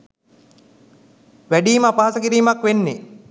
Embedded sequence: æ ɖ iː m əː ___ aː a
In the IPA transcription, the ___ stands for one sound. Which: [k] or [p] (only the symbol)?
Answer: p